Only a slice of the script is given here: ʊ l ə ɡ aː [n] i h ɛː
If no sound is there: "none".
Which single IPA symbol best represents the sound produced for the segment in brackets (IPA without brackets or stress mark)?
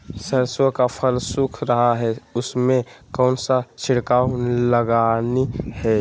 n